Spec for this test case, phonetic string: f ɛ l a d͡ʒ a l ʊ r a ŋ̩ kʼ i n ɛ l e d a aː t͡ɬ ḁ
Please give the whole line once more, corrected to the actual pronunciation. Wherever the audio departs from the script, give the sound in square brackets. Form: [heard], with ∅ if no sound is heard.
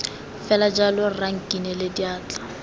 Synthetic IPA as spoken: f ɛ l a d͡ʒ a l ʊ r a ŋ̩ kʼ i n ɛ l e d [i] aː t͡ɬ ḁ